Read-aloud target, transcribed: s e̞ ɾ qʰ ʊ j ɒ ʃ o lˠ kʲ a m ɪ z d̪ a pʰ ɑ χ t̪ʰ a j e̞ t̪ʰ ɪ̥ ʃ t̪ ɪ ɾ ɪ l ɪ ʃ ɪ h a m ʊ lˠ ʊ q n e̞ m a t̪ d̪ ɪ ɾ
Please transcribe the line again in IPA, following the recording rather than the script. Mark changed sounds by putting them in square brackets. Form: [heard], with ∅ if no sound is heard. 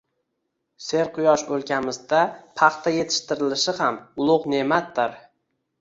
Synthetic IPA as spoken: s e̞ ɾ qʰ ʊ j ɒ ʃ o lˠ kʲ a m ɪ z d̪ a pʰ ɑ χ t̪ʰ a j e̞ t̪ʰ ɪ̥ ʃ t̪ ɪ ɾ ɪ l ɪ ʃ ɪ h a m ʊ lˠ ʊ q n e̞ m a t̪ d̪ ɪ ɾ